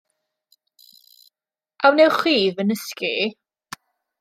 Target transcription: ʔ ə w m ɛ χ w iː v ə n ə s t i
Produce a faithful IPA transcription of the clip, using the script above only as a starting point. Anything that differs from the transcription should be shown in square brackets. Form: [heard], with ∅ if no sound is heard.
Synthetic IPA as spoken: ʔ [a] w [n] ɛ χ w iː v ə n ə s [k] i